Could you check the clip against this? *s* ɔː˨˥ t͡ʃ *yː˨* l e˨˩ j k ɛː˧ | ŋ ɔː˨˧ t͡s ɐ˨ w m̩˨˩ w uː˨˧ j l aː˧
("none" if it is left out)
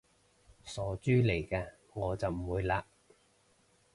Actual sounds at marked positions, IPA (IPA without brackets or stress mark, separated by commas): s, yː˥